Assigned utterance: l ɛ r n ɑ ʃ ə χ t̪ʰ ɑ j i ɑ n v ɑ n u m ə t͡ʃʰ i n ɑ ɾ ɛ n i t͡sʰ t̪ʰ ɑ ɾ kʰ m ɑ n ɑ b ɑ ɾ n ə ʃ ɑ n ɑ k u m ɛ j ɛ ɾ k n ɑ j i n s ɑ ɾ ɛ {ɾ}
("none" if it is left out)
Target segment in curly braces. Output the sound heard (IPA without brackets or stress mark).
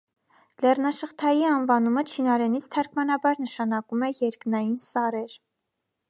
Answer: ɾ